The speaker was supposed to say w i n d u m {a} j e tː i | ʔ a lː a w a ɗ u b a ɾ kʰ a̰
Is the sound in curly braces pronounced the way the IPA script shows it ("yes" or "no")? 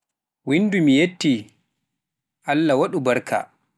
no